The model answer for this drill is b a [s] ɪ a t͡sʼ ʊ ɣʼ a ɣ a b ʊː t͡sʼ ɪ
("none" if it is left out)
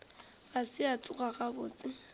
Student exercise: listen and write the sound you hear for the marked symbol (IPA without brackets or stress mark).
s